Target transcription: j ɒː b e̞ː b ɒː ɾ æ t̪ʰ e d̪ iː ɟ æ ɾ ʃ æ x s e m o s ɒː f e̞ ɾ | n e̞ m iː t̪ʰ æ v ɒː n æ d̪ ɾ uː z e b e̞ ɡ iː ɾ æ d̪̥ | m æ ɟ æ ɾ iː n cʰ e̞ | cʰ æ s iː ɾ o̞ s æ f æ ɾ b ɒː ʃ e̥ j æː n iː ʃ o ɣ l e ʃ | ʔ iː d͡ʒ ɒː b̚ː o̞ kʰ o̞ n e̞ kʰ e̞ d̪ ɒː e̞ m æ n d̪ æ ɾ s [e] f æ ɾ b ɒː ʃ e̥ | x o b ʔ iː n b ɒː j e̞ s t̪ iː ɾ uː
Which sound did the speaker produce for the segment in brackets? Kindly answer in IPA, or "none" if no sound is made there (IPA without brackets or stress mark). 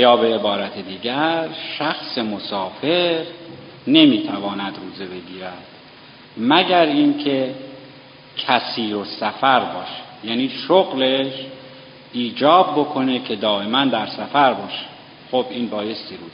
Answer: æ